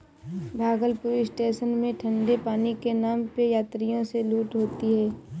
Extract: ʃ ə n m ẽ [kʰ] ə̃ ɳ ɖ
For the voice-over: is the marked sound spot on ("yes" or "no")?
no